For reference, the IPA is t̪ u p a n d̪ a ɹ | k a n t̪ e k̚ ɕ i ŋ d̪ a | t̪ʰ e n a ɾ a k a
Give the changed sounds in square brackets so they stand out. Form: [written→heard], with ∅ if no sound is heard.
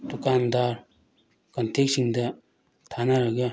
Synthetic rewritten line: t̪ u [p→k] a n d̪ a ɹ | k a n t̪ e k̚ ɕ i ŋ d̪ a | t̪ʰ [e→a] n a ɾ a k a